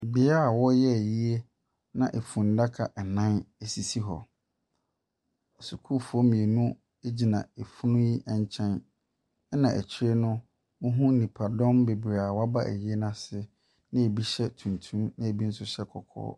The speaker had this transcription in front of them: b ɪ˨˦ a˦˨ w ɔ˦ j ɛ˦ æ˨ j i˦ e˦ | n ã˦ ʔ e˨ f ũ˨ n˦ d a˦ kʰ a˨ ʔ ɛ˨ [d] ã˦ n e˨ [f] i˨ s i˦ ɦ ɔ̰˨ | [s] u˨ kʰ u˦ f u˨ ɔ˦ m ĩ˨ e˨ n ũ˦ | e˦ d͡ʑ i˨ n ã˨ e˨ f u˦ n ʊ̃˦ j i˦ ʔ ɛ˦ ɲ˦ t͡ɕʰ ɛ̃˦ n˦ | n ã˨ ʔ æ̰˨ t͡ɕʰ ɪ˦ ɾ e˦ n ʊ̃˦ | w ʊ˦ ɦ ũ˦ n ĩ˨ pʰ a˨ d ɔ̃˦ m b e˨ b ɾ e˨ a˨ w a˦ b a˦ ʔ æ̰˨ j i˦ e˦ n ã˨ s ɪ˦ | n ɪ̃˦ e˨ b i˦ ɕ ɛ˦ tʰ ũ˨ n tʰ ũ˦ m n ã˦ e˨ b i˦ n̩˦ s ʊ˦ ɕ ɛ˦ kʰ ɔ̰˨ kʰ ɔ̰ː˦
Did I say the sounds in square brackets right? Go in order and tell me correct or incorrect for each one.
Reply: incorrect: n, incorrect: s, correct

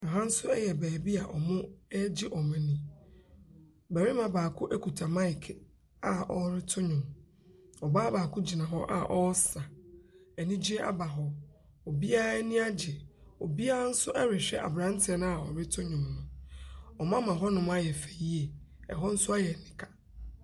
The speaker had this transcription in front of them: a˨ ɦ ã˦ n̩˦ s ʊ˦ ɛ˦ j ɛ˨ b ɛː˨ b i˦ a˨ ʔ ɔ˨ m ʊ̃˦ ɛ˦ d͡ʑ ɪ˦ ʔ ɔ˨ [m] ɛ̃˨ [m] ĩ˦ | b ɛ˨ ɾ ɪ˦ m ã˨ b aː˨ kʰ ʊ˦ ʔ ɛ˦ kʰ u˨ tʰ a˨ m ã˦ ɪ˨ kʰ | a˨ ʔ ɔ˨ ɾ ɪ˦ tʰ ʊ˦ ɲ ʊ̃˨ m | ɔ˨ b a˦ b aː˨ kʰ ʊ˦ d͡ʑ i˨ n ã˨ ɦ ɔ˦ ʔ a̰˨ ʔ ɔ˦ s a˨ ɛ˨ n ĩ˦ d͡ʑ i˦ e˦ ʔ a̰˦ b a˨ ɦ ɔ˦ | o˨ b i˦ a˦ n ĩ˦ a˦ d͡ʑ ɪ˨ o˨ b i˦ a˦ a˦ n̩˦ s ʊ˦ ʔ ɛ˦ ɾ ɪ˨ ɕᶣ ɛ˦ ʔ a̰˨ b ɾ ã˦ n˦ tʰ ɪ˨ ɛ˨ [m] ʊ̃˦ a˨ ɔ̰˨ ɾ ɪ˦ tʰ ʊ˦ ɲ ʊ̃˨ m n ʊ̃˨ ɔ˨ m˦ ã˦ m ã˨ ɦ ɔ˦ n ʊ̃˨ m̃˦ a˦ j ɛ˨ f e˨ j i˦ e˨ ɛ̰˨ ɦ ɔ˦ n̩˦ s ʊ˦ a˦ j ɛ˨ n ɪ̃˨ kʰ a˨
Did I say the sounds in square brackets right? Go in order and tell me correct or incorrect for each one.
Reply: correct, incorrect: n, incorrect: n

